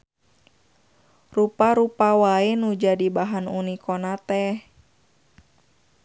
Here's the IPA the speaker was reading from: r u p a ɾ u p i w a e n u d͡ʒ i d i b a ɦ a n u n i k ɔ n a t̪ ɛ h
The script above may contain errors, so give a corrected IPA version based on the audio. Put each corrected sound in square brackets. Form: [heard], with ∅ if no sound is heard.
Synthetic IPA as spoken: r u p a ɾ u p [a] w a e n u d͡ʒ [a] d i b a ɦ a n u n i k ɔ n a t̪ ɛ h